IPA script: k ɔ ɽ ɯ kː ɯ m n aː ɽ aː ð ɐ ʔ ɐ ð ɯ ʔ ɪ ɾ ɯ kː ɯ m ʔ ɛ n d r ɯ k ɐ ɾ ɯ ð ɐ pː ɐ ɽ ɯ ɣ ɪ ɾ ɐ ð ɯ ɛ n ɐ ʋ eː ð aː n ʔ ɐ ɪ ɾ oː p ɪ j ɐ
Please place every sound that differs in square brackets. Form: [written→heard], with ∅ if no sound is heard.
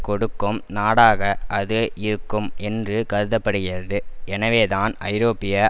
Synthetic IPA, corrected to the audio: k ɔ ɽ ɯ kː ɯ m n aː ɽ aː [ð→ɣ] ɐ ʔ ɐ ð ɯ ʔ ɪ ɾ ɯ kː ɯ m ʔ ɛ n d r ɯ k ɐ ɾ ɯ ð ɐ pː ɐ ɽ ɯ ɣ ɪ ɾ ɐ ð ɯ ɛ n ɐ ʋ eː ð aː n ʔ ɐ ɪ ɾ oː p ɪ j ɐ